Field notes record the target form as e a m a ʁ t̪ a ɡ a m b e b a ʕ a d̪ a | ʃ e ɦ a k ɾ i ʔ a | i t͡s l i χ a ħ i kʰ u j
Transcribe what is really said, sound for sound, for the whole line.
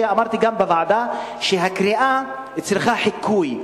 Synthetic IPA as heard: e a m a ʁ t̪ i ɡ a m b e v a ʕ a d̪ a | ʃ e ɦ a k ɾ i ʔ a | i t͡s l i χ a ħ i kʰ u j